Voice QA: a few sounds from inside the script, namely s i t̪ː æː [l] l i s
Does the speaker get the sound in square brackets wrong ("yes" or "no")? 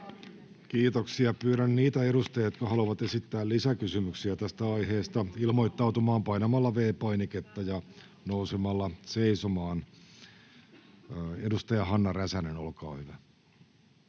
no